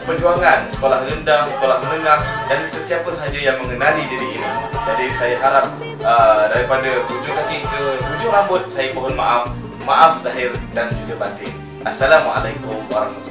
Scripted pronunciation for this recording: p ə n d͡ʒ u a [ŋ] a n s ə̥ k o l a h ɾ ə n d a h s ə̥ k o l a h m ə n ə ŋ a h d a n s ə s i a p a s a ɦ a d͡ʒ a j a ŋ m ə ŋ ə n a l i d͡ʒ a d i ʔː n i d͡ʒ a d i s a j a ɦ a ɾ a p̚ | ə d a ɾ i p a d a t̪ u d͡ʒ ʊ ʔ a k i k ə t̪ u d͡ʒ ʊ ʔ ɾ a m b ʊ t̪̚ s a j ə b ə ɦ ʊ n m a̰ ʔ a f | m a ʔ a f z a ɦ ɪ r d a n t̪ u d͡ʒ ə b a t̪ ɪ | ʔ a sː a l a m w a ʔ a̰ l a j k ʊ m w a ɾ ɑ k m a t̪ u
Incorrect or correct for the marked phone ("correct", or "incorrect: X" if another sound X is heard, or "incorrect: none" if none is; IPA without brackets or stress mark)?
correct